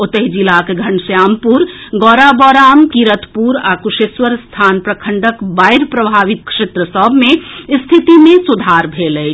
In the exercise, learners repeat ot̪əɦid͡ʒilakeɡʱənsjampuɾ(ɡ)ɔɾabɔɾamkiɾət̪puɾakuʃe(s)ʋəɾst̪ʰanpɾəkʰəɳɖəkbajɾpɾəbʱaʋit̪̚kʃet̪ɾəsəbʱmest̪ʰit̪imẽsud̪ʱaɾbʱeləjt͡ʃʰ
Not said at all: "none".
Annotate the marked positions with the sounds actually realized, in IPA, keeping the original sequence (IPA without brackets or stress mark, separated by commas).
ɡ, s